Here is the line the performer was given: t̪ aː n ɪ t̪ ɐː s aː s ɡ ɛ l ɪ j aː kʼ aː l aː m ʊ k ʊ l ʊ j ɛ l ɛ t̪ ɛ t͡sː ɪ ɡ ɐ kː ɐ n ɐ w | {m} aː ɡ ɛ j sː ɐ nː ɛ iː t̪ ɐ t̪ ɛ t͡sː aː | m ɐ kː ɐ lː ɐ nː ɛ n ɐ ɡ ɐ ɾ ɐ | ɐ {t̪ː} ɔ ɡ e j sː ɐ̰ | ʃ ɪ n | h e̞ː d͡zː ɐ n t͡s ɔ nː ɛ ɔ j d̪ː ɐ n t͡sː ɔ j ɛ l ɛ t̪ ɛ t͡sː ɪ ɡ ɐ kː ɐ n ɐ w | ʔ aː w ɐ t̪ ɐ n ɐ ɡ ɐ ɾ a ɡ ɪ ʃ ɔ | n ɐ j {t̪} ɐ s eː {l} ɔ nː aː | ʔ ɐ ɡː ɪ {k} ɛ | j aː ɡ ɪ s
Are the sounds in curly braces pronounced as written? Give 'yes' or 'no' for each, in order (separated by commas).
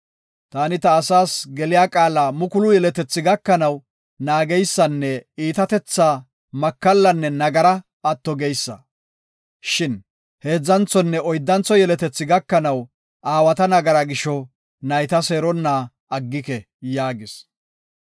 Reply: no, yes, yes, no, yes